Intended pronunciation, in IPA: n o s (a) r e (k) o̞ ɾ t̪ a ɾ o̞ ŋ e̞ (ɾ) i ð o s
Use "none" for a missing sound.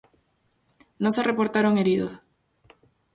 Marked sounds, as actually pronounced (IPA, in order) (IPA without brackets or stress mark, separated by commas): e, p, ɾ